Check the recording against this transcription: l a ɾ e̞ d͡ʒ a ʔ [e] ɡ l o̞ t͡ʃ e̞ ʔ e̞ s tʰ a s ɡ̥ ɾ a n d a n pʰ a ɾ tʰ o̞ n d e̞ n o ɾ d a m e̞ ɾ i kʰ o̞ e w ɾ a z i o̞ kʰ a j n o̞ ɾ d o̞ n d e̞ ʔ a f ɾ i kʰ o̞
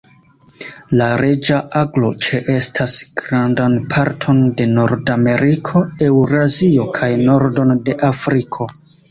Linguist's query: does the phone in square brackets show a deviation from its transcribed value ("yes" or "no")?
yes